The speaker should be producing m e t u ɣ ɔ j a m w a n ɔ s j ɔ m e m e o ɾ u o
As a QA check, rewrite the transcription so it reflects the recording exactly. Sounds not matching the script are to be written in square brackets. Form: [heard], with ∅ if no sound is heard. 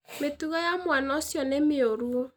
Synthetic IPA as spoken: m e t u ɣ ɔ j a m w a n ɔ s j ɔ [n] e m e o ɾ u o